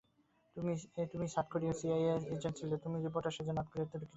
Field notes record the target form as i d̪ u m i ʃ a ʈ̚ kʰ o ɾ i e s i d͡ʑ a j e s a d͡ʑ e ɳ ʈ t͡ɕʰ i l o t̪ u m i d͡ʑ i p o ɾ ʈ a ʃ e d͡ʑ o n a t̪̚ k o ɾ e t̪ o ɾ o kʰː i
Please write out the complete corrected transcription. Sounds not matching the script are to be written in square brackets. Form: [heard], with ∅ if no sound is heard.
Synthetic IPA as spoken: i [t̪] u m i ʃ a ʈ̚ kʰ o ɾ i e s i [∅] a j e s [e] d͡ʑ e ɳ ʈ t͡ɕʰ i l o t̪ u m i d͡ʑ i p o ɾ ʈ a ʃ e d͡ʑ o n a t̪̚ k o ɾ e t̪ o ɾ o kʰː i

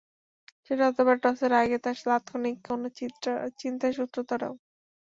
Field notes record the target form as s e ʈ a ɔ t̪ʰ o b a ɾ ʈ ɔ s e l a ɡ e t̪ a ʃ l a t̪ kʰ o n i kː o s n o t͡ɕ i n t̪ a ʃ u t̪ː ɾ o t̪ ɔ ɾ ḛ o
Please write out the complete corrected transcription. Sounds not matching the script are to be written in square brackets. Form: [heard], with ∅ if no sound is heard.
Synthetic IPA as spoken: [ʃ] e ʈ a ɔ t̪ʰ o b a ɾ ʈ ɔ s e [ɾ] a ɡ e t̪ a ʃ l a t̪ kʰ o n i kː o [∅] n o t͡ɕ i n t̪ a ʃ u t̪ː ɾ o t̪ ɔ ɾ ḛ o

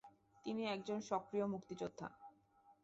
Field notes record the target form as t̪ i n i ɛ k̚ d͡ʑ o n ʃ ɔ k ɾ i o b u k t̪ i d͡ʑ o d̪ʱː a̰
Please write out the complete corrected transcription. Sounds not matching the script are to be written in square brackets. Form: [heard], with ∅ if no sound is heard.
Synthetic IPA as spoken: t̪ i n i ɛ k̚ d͡ʑ o n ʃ ɔ k ɾ i o [m] u k t̪ i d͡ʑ o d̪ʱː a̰

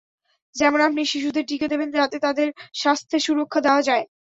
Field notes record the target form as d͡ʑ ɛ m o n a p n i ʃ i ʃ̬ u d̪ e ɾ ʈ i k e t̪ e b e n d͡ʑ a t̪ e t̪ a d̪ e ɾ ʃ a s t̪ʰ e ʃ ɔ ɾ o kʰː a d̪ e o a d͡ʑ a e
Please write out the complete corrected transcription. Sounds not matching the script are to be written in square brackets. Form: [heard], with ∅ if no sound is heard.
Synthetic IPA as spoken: d͡ʑ ɛ m o n a p n i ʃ i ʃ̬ u d̪ e ɾ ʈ i k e [d̪] e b e n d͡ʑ a t̪ e t̪ a d̪ e ɾ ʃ a s t̪ʰ e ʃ [u] ɾ o kʰː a d̪ e o a d͡ʑ a e

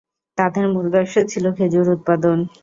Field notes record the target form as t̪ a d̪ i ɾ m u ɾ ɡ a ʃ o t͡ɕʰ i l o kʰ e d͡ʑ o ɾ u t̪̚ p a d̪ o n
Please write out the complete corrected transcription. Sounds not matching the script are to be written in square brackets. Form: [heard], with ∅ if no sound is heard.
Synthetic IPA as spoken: t̪ a d̪ [e] ɾ m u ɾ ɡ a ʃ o t͡ɕʰ i l o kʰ e d͡ʑ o ɾ u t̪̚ p a d̪ o n

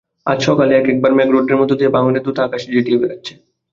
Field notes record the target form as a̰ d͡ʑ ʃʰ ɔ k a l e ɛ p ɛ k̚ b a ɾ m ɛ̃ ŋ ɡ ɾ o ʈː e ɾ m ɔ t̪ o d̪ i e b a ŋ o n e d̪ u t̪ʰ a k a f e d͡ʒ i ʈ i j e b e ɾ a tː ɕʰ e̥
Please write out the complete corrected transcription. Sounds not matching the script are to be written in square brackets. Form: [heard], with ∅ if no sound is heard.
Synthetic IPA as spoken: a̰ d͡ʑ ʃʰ ɔ k a l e ɛ [k] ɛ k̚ b a ɾ m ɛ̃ [∅] ɡ ɾ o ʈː e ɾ m ɔ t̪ o d̪ i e b a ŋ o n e d̪ u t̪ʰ a k a [ʃ] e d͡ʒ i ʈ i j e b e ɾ a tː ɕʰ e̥

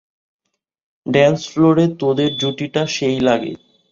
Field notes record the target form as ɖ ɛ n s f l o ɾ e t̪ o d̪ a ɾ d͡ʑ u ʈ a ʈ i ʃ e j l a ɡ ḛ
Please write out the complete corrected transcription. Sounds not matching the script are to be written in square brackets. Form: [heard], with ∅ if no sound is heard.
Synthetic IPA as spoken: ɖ ɛ n s f l o ɾ e t̪ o d̪ [e] ɾ d͡ʑ u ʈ [i] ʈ [a] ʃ e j l a ɡ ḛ

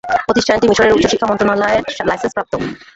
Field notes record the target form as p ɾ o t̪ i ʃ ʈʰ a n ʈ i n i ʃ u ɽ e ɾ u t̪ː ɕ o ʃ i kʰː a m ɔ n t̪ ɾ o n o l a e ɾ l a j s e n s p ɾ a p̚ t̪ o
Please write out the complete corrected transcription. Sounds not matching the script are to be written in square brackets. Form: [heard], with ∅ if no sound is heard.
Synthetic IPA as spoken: p ɾ o t̪ i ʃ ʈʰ a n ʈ i [m] i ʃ [o] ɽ e ɾ u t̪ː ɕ o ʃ i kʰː a m ɔ n t̪ ɾ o n [ɔ] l a e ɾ l a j s e n s p ɾ a p̚ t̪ o

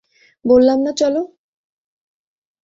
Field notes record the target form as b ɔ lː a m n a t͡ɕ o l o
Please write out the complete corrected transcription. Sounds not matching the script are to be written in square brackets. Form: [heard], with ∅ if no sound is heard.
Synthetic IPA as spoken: b [o] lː a m n a t͡ɕ [ɔ] l o

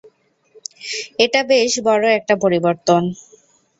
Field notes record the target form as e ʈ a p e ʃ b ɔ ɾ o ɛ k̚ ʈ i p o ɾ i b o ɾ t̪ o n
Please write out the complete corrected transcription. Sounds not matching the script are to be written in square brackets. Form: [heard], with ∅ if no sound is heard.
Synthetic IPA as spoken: e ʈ a [b] e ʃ b ɔ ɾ o ɛ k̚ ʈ [a] p o ɾ i b o ɾ t̪ o n

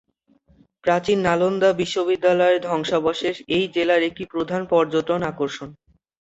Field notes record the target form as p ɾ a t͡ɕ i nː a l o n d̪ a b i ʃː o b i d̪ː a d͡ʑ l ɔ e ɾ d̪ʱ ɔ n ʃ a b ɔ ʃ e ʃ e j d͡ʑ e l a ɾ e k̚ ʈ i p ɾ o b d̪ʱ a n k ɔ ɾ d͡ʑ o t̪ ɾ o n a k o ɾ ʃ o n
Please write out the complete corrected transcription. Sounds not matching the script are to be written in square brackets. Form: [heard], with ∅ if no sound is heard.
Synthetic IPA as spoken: p ɾ a t͡ɕ i nː a l o n d̪ a b i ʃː o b i d̪ː a [∅] l ɔ e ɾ d̪ʱ ɔ [ŋ] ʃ a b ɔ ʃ e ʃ e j d͡ʑ e l a ɾ e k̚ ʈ i p ɾ o [∅] d̪ʱ a n [p] ɔ ɾ d͡ʑ o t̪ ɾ o n a k o ɾ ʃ o n

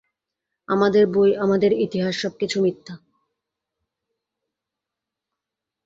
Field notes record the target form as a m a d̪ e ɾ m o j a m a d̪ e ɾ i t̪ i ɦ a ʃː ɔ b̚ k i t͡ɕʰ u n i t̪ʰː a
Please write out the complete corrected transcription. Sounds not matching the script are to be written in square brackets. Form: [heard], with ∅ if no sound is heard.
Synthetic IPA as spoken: a m a d̪ e ɾ [b] o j a m a d̪ e ɾ i t̪ i ɦ a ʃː ɔ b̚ k i t͡ɕʰ u [m] i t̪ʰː a

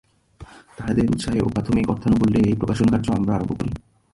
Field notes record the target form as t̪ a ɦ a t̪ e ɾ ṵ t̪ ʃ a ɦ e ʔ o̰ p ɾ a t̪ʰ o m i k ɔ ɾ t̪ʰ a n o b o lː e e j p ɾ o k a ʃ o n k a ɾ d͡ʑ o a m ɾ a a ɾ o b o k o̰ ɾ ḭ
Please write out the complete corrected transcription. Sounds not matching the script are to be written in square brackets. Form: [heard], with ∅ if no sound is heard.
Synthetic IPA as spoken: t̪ a ɦ a [d̪] e ɾ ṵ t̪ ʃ a ɦ e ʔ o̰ p ɾ a t̪ʰ o m i k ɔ ɾ t̪ʰ a n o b o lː e e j p ɾ o k a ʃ o n k a ɾ d͡ʑ o a m ɾ a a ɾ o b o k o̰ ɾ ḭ

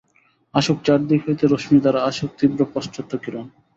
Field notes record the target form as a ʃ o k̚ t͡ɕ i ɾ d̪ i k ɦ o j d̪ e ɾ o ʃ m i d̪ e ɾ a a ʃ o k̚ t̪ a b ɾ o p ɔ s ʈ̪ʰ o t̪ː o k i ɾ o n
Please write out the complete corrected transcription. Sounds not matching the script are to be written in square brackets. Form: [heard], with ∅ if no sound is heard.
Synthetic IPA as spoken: a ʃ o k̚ t͡ɕ [a] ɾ d̪ i k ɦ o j [t̪] e ɾ o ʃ m i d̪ [a] ɾ a a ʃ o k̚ t̪ [i] b ɾ o p ɔ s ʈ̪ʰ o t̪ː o k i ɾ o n

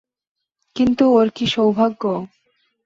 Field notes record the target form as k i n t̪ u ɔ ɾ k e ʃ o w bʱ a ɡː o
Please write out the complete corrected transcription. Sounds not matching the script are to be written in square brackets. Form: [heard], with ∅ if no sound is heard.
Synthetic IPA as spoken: k i n t̪ u [o] ɾ k [i] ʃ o w bʱ a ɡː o

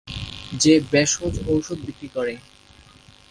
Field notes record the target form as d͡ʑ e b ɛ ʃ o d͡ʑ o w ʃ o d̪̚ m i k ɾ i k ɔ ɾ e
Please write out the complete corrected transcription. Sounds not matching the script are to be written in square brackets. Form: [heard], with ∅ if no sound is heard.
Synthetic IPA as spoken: d͡ʑ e b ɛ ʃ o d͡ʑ o w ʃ o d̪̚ [b] i k ɾ i k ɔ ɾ e

